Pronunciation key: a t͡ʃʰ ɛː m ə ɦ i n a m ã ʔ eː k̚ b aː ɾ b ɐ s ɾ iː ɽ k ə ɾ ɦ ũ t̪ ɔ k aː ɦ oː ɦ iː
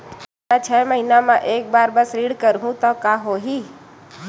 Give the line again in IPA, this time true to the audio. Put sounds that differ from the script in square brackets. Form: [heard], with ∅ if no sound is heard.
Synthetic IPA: a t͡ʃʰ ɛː m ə ɦ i n a m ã ʔ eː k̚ b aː ɾ b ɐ s ɾ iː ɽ k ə ɾ ɦ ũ t̪ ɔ k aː ɦ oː ɦ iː